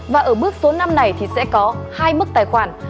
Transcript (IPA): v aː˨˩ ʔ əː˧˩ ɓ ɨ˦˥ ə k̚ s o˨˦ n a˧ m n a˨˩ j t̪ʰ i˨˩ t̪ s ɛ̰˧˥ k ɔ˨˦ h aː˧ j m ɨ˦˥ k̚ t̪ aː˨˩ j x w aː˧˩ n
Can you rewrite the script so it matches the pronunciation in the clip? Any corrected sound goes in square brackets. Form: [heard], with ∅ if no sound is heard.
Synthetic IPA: v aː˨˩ ʔ əː˧˩ ɓ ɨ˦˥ ə k̚ s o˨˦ n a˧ m n a˨˩ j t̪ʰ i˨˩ [∅] s ɛ̰˧˥ k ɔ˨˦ h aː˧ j m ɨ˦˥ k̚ t̪ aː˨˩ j x w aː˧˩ n